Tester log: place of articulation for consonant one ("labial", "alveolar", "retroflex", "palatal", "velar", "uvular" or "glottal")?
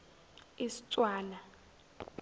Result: alveolar